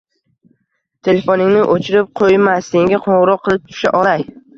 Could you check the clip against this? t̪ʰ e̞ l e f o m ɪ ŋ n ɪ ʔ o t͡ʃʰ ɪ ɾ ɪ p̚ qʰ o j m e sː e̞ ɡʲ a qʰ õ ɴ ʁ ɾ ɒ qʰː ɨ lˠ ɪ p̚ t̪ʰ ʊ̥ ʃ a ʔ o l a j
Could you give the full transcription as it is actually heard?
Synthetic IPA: t̪ʰ e̞ l e f o n ɪ ŋ n ɪ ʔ o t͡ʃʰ ɪ ɾ ɪ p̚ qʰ o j m a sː e̞ ŋʲ a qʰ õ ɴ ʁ ɾ ɒ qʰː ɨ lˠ ɪ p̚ t̪ʰ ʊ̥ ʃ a ʔ ɒ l a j

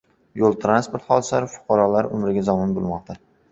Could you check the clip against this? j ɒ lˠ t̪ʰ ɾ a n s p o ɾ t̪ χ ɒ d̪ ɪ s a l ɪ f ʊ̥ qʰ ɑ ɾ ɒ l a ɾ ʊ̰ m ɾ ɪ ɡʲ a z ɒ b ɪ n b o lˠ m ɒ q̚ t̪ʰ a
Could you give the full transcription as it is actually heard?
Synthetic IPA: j o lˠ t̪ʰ ɾ a n s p o ɾ t̪ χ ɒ d̪ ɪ s a ɾ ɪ f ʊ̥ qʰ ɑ ɾ ɒ l a ɾ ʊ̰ m ɾ ɪ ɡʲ a z ɒ m ɪ n b o lˠ m ɒ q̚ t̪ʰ a

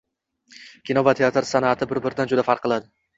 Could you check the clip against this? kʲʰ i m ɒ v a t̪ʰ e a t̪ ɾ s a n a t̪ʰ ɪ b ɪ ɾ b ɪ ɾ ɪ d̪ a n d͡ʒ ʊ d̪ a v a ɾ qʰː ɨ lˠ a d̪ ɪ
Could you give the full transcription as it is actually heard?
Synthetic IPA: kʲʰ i n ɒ v a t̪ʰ e a t̪ ɾ s a n a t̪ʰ ɪ b ɪ ɾ b ɪ ɾ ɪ d̪ a n d͡ʒ ʊ d̪ a f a ɾ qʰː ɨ lˠ a d̪ ɪ

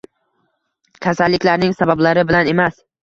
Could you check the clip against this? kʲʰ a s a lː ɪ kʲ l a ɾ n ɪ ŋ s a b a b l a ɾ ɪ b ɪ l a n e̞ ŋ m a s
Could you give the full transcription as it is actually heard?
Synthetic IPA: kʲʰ a s a lː ɪ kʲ l a ɾ n ɪ ŋ s a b a b l a ɾ ɪ b ɪ l a n e̞ m a s

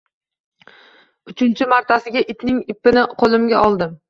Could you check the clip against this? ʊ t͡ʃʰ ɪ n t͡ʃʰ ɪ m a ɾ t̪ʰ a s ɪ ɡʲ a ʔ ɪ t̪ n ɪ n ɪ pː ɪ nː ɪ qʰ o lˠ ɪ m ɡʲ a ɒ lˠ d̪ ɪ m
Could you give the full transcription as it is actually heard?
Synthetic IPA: ʊ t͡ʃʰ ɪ n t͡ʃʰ ɪ m a ɾ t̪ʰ a s ɪ ɡʲ a ʔ ɪ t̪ n ɪ ŋ ɪ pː ɪ n ɪ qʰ o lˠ ɪ m ɡʲ a ɒ lˠ d̪ ɪ m

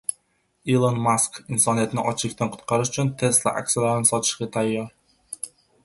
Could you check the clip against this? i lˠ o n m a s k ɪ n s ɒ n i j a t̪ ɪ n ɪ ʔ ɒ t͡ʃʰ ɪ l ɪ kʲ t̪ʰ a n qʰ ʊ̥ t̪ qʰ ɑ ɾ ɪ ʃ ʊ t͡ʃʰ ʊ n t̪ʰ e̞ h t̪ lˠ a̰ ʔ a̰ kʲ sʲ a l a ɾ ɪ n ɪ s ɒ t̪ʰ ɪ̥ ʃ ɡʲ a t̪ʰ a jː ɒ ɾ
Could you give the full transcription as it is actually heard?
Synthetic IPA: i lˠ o n m a s k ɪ n s ɒ n i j a t̪ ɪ n ɪ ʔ ɒ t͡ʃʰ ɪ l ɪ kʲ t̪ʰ a n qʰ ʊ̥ t̪ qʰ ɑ ɾ ɪ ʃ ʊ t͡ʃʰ ʊ n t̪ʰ e̞ s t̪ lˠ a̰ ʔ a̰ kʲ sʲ a l a ɾ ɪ n ɪ s ɒ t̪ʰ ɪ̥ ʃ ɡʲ a t̪ʰ a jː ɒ ɾ

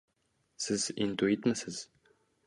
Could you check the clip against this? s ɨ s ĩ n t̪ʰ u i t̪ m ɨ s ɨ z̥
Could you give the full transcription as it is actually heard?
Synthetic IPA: s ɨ z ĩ n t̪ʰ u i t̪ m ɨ s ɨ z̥

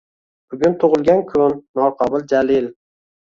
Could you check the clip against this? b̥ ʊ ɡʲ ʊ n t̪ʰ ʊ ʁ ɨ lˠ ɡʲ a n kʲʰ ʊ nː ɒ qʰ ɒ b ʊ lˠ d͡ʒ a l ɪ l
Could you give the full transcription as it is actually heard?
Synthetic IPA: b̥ ʊ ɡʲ ʊ n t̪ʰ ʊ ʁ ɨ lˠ ɡʲ a n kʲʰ ʊ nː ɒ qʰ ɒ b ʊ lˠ d͡ʒ a l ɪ l

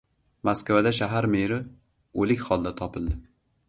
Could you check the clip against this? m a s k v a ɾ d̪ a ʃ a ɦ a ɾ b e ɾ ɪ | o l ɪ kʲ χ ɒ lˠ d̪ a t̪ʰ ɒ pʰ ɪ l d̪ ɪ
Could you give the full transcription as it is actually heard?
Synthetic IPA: m a s k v a d̪ a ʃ a ɦ a ɾ m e ɾ ɪ | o l ɪ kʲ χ ɒ lˠ d̪ a t̪ʰ ɒ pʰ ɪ l d̪ ɪ

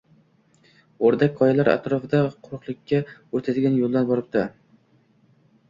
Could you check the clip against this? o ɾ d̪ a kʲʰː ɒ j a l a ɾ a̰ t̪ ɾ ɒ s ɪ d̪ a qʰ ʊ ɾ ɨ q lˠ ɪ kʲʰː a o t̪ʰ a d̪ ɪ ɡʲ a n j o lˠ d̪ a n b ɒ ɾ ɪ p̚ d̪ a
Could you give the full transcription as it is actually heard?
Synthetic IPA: o ɾ d̪ a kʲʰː ɒ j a l a ɾ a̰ t̪ ɾ ɒ f ɪ d̪ a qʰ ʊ ɾ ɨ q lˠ ɪ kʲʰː a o t̪ʰ a d̪ ɪ ɡʲ a n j o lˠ d̪ a n b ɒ ɾ ɪ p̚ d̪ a

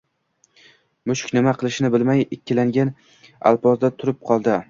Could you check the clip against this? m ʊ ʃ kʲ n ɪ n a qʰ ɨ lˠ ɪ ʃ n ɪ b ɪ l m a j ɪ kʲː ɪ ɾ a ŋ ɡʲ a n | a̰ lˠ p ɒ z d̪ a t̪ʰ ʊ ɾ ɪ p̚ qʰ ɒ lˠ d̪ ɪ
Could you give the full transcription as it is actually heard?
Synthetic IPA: m ʊ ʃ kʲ n ɪ m a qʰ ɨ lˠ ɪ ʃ n ɪ b ɪ l m a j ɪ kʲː ɪ l a ŋ ɡʲ a n | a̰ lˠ p ɒ z d̪ a t̪ʰ ʊ ɾ ɪ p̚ qʰ ɒ lˠ d̪ ɪ

